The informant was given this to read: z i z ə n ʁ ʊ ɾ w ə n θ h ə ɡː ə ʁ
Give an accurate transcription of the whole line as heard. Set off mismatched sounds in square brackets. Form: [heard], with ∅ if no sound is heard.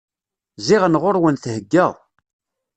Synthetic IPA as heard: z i [ʁ] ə n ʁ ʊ ɾ w ə n θ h ə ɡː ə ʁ